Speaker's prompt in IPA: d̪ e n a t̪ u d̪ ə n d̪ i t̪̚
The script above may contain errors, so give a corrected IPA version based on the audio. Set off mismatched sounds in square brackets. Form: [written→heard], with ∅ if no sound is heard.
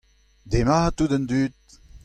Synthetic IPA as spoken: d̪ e [n→m] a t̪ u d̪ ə n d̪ [i→y] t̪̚